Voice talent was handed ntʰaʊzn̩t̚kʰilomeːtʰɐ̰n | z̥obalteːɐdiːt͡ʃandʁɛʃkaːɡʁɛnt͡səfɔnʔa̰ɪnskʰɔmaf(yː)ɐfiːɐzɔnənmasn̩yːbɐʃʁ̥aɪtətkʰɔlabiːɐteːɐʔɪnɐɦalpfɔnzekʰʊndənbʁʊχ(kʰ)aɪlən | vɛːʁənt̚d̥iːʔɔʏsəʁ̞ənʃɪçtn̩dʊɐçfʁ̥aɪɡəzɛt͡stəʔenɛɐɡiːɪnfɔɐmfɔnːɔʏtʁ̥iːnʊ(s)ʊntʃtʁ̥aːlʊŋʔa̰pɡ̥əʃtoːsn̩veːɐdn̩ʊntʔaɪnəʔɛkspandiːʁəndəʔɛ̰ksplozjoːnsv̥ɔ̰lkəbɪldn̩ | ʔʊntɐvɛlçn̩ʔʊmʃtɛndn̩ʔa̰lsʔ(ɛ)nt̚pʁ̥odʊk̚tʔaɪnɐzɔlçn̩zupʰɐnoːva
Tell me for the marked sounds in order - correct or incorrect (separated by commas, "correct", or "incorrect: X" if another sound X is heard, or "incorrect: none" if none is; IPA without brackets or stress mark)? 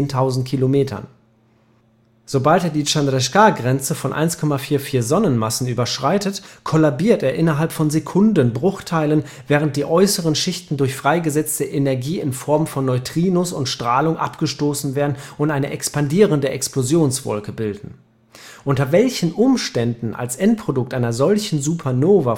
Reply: incorrect: iː, incorrect: tʰ, correct, correct